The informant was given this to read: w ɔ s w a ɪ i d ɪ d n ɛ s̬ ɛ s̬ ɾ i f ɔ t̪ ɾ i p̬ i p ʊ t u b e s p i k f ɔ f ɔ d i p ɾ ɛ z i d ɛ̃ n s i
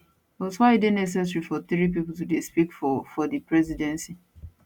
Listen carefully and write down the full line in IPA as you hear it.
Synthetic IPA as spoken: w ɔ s w a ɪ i d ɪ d n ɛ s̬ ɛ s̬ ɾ i f ɔ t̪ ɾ i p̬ i p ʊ t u d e s p i k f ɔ f ɔ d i p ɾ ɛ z i d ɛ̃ n s i

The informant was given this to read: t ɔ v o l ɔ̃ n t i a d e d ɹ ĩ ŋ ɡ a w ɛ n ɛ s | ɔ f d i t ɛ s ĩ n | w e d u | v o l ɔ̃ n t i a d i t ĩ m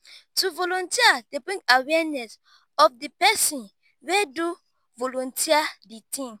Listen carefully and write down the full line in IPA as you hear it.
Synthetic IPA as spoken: t u v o l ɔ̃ n t i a d e b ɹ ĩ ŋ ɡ a w ɛ n ɛ s | ɔ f d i p ɛ s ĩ n | w e d u | v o l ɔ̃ n t i a d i t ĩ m

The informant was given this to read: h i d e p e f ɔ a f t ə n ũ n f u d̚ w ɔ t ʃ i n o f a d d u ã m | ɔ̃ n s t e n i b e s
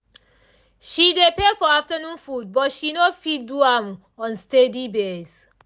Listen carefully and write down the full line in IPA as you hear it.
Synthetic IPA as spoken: ʃ i d e p e f ɔ a f t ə n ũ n f u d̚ b ɔ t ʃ i n o f i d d u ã m | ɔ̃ n s t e d i b e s

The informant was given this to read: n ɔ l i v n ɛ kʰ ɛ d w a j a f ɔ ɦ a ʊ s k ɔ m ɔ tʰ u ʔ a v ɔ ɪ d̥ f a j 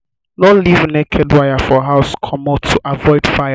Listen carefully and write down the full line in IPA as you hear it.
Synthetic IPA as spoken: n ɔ l i v n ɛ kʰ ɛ d w a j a f ɔ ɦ a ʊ s kʰ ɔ m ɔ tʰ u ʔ a v ɔ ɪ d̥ f a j

